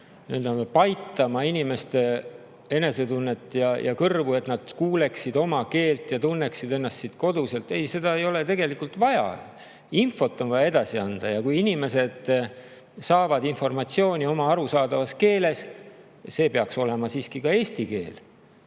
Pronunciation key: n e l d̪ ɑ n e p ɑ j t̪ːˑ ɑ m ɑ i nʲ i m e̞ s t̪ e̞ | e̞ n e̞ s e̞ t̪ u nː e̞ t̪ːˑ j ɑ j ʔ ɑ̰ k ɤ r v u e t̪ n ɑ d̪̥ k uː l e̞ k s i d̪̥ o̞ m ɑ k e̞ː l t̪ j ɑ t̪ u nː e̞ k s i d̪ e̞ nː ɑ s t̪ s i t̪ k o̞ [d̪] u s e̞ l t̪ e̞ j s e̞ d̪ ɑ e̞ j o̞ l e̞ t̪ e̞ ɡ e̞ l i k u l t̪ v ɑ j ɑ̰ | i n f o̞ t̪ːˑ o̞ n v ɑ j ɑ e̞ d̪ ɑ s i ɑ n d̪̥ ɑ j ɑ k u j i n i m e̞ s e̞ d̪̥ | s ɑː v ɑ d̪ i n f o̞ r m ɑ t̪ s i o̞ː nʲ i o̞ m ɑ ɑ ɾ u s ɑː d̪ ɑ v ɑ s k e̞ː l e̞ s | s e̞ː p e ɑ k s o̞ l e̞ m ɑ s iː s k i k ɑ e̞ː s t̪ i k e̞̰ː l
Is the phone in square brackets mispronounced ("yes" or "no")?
no